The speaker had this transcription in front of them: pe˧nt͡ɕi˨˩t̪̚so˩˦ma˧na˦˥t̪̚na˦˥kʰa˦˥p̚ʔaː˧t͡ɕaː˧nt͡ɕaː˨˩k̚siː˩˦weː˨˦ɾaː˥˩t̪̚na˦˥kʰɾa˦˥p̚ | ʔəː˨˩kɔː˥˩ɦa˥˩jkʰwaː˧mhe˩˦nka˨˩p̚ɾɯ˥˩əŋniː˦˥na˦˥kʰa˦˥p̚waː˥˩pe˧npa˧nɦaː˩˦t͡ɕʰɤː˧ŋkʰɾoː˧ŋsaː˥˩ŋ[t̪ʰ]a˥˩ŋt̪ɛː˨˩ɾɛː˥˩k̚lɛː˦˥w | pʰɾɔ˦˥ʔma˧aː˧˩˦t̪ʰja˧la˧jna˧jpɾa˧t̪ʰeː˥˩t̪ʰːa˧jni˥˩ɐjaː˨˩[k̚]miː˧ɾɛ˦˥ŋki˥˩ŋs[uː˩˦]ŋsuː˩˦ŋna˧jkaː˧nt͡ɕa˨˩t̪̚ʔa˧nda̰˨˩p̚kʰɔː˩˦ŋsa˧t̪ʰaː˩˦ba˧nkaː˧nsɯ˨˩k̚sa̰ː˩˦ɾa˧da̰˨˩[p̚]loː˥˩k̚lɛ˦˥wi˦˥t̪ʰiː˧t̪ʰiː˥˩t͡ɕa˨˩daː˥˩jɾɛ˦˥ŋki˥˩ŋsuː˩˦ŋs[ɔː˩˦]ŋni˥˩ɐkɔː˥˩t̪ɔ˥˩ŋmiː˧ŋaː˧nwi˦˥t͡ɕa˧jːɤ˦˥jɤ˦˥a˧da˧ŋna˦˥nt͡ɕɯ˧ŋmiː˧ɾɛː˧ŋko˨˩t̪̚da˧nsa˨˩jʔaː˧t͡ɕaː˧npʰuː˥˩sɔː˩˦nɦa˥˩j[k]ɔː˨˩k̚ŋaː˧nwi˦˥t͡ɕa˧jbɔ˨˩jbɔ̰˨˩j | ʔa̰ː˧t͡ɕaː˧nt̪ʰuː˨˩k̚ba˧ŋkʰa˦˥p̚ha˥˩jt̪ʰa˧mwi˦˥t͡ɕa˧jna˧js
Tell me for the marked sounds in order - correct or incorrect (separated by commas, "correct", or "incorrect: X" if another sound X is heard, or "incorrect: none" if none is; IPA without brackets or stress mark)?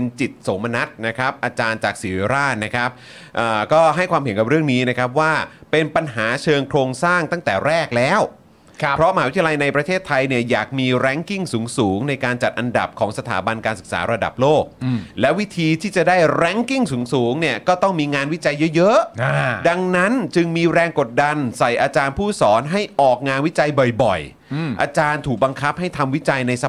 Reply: incorrect: t̪, correct, correct, correct, incorrect: uː˩˦, incorrect: ʔ